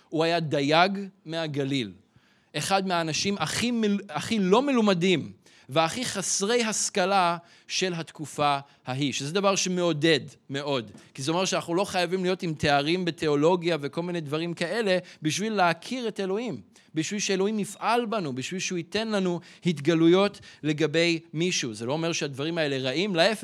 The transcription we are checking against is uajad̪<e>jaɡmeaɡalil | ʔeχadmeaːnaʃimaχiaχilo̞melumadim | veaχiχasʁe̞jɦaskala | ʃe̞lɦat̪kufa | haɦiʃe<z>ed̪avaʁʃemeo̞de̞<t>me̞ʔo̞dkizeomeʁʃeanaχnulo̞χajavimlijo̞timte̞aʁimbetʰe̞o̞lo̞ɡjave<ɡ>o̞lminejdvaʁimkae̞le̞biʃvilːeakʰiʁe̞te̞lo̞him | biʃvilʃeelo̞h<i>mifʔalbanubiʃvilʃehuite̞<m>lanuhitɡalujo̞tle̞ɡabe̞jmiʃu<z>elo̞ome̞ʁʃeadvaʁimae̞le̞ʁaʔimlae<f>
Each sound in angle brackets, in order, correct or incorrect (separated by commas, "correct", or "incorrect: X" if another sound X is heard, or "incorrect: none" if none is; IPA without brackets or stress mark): incorrect: a, correct, incorrect: d, incorrect: k, correct, incorrect: n, correct, correct